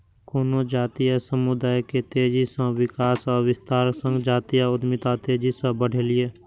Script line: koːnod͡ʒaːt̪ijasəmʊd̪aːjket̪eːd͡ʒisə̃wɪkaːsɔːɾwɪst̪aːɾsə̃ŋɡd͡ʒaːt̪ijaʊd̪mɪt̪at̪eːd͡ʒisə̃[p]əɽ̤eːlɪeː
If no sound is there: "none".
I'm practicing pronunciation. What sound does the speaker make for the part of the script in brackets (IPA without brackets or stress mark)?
b